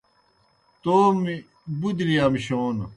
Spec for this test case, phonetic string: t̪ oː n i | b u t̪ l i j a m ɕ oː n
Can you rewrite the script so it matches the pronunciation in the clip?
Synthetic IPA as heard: t̪ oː m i | b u d̪ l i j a m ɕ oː n